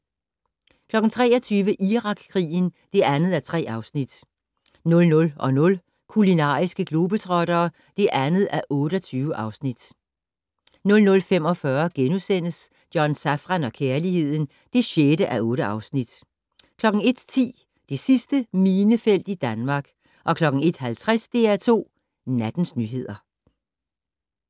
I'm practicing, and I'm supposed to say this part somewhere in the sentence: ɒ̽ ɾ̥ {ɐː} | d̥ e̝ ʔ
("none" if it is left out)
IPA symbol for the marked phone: ɐː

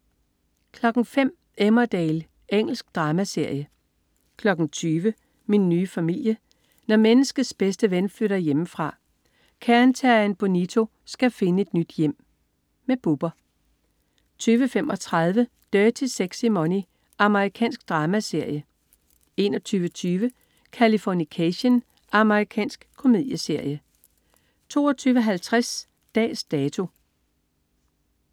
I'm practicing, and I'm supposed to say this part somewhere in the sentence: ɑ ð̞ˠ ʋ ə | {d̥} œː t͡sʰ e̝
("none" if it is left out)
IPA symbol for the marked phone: d̥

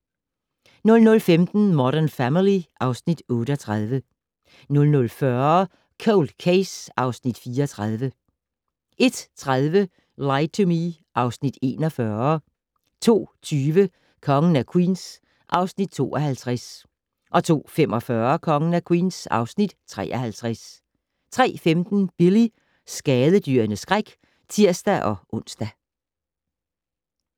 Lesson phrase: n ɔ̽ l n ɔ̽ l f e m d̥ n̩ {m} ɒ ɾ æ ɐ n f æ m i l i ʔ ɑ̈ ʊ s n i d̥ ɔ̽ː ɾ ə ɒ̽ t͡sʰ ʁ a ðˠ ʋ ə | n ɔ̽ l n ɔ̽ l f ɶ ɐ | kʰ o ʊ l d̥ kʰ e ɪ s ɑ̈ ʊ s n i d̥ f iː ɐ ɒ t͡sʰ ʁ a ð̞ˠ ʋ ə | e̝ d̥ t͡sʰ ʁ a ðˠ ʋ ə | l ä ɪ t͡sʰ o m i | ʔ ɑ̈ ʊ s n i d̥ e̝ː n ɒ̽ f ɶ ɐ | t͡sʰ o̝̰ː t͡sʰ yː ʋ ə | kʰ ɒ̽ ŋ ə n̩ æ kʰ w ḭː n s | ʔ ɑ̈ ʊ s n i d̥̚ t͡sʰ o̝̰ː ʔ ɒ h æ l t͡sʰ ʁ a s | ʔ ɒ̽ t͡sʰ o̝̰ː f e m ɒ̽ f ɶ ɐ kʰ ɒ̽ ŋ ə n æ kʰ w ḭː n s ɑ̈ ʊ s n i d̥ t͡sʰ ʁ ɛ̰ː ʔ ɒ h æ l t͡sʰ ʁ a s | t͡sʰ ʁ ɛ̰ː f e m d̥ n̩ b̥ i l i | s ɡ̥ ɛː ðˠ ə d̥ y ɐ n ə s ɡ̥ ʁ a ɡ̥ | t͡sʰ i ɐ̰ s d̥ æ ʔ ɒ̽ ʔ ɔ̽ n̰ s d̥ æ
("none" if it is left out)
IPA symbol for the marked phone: m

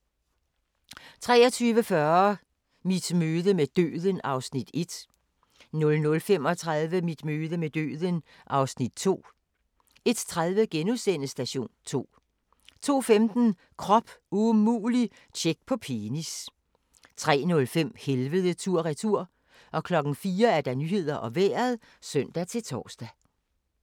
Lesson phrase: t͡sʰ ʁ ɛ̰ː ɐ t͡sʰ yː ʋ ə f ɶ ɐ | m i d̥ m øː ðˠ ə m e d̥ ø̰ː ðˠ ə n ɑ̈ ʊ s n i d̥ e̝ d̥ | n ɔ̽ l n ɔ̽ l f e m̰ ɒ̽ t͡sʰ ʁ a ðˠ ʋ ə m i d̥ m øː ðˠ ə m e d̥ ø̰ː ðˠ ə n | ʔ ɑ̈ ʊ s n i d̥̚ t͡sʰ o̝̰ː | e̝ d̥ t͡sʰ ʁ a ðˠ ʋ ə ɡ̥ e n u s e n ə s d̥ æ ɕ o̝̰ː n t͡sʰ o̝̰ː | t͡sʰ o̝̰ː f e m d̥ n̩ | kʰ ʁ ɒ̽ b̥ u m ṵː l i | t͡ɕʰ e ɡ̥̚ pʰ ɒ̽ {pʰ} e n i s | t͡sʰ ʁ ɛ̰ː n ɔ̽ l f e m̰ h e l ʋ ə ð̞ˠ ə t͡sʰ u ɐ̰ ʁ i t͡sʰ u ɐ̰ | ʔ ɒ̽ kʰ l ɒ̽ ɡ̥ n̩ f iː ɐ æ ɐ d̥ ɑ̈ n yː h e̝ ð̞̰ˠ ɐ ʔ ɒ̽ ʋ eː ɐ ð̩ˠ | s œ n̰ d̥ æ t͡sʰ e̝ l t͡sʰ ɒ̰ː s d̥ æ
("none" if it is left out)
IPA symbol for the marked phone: pʰ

